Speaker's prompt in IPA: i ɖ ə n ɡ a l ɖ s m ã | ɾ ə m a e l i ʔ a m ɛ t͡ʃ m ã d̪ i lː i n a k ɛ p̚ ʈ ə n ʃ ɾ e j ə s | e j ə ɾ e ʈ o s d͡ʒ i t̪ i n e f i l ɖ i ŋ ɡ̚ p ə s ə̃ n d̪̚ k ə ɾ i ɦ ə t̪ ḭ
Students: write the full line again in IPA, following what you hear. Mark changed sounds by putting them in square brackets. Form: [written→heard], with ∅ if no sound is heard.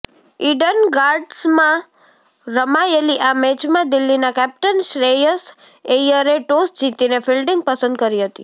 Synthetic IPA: i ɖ ə n ɡ a [l→ɾ] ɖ s m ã | ɾ ə m a e l i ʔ a m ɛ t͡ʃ m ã d̪ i lː i n a k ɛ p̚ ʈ ə n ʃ ɾ e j ə s | e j ə ɾ e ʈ o s d͡ʒ i t̪ i n e f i l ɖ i ŋ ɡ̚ p ə s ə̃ n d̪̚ k ə ɾ i ɦ ə t̪ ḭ

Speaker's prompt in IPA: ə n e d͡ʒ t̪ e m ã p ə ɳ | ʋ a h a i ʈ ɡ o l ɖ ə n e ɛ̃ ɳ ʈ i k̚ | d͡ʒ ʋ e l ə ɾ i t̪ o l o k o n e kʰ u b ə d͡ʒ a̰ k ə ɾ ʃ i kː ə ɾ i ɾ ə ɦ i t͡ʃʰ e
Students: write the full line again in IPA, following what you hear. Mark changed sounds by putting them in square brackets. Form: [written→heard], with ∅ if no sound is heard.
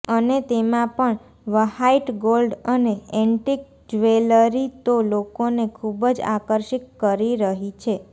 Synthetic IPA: ə n e [d͡ʒ→∅] t̪ e m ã p ə ɳ | ʋ [a→ə] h a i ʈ ɡ o l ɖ ə n e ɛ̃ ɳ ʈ i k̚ | d͡ʒ ʋ e l ə ɾ i t̪ o l o k o n e kʰ u b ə d͡ʒ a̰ k ə ɾ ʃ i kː ə ɾ i ɾ ə ɦ i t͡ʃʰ e

